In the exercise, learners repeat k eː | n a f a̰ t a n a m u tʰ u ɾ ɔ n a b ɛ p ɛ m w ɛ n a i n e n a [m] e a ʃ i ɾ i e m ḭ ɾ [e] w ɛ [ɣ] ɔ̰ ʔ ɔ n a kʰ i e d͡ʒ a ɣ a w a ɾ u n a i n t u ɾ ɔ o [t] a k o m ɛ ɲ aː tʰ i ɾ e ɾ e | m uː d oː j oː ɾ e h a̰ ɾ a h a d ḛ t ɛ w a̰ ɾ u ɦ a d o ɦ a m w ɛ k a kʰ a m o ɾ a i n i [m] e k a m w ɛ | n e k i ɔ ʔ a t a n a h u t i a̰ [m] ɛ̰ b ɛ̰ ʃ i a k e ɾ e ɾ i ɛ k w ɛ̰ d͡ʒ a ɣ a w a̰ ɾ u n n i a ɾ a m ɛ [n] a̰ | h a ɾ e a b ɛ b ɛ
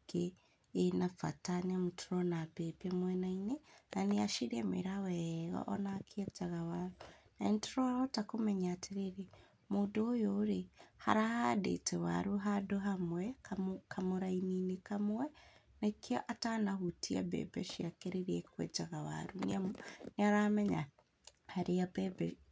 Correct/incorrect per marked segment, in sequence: incorrect: n, incorrect: a, correct, correct, incorrect: n, incorrect: b, incorrect: ɲ

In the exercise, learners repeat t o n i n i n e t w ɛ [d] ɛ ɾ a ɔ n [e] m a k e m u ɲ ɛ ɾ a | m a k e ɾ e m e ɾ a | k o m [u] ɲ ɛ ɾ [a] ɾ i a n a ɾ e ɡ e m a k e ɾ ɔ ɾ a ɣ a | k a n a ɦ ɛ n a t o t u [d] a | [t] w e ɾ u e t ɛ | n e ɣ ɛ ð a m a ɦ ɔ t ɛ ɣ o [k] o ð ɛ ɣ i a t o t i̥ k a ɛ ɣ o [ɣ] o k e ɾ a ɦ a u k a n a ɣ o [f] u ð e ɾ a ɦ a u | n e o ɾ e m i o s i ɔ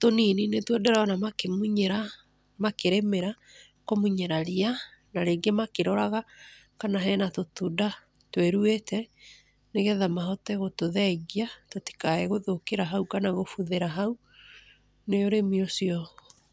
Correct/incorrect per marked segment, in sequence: correct, incorrect: a, correct, correct, correct, correct, incorrect: t, incorrect: ð, correct

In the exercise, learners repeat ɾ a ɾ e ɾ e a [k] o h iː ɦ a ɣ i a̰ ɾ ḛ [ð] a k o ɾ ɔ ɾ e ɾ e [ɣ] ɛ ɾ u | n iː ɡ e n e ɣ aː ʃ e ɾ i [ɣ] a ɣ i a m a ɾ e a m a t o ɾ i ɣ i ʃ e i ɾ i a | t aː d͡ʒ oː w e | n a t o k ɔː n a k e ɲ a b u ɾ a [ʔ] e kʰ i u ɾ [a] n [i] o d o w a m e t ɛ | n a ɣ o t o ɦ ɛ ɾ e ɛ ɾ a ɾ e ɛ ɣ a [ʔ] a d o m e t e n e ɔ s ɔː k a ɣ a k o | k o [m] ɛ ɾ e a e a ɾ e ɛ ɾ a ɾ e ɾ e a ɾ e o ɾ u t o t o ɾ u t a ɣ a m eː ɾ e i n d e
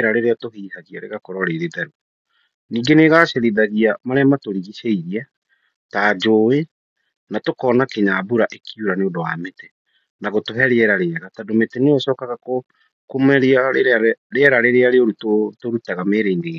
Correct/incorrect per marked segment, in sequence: incorrect: t, incorrect: ɣ, incorrect: ð, incorrect: ð, correct, correct, incorrect: e, incorrect: t, correct

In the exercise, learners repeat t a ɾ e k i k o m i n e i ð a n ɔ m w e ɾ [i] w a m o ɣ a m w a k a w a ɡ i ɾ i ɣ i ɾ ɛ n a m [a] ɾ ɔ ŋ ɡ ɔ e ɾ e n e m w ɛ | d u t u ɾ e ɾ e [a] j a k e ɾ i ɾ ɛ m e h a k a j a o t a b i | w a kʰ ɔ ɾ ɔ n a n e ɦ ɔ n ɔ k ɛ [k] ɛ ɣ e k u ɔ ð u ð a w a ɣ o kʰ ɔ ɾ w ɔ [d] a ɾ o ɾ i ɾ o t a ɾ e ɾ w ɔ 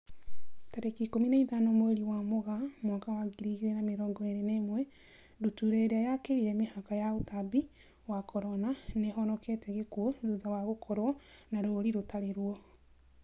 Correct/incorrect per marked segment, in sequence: correct, incorrect: e, correct, incorrect: t, incorrect: n

